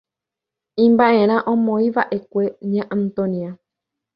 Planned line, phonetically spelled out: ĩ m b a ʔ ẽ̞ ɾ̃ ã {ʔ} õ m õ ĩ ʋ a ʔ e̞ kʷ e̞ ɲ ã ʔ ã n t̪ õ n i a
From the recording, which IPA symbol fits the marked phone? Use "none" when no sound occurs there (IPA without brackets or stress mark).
ʔ